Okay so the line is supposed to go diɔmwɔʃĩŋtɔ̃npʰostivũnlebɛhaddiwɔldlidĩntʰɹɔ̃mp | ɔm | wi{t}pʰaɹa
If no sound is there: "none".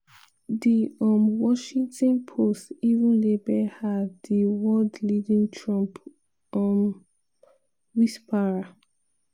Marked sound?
s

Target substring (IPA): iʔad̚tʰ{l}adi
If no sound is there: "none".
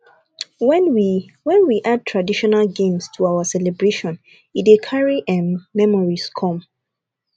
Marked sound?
ɹ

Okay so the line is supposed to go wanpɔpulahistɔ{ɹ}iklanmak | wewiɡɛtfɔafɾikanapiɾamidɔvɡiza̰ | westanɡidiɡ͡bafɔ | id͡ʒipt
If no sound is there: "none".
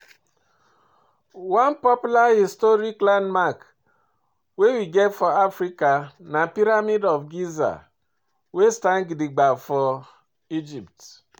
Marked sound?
ɾ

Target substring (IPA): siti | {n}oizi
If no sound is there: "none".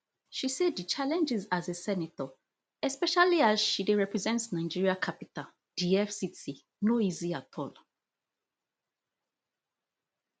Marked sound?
n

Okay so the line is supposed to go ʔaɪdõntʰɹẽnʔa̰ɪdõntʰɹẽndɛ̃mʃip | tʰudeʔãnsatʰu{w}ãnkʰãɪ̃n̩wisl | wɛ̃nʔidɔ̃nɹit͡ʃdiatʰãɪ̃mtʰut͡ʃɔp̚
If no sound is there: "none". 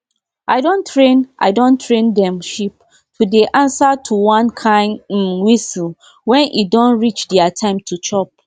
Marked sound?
w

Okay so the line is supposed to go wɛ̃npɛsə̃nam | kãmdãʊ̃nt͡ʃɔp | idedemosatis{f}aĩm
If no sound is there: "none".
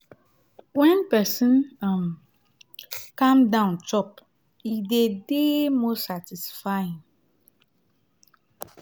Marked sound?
f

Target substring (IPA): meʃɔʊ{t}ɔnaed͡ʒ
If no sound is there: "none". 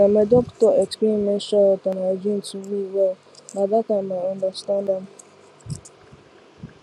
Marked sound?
t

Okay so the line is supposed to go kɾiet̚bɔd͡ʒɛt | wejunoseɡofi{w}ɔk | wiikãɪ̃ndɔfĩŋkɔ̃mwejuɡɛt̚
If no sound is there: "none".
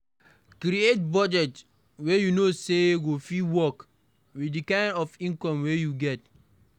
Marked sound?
w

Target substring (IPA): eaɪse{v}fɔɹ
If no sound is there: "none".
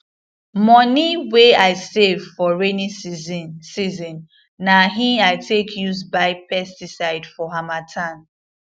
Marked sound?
v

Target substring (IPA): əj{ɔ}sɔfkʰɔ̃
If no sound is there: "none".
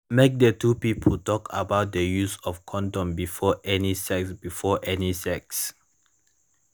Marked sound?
u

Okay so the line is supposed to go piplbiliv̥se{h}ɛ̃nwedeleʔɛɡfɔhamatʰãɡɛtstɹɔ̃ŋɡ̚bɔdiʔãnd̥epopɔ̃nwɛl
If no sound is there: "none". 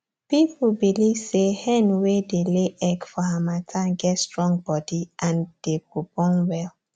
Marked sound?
h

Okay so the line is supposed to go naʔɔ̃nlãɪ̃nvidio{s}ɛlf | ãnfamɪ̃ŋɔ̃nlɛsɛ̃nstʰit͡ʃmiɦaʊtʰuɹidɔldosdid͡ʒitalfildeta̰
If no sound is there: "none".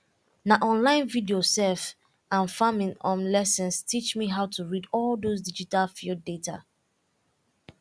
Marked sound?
s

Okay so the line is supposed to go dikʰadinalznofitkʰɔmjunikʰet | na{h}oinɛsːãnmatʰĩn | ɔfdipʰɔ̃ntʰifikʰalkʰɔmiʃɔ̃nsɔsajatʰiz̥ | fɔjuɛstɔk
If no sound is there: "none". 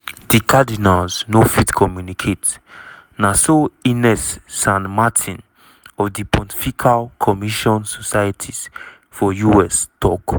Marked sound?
s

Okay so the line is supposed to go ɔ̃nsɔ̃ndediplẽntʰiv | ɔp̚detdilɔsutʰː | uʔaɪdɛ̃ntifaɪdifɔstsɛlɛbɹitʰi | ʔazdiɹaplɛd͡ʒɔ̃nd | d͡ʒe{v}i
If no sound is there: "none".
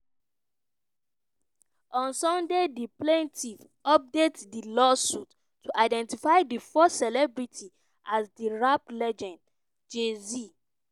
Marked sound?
z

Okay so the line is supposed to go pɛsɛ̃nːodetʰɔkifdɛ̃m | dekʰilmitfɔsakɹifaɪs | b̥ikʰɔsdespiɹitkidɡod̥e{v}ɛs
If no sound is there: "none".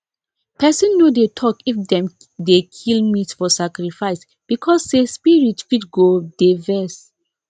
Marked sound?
v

